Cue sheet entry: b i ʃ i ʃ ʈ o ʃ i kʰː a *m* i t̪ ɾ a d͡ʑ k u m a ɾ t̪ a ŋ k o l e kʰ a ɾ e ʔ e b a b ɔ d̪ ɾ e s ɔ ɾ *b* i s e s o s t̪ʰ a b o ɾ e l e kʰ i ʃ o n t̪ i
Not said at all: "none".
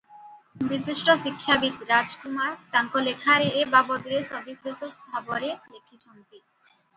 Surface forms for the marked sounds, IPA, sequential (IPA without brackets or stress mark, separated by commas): b, b